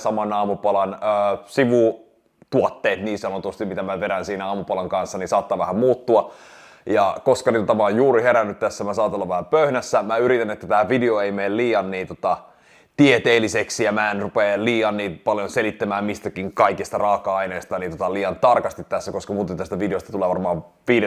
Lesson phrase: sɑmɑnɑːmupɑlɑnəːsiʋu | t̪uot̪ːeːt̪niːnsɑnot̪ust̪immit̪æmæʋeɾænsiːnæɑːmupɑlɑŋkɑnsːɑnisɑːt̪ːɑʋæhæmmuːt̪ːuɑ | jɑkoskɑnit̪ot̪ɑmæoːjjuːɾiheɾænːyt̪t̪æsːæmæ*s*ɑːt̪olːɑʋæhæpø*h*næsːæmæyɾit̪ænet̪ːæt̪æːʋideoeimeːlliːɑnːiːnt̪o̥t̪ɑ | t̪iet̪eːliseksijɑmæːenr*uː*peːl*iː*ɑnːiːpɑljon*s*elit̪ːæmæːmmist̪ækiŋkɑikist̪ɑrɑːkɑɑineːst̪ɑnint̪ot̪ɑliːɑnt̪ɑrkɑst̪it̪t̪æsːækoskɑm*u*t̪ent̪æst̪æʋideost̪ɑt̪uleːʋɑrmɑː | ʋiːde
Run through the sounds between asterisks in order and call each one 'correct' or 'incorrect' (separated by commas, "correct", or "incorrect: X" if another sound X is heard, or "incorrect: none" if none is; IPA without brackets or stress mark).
correct, correct, incorrect: u, correct, correct, incorrect: uː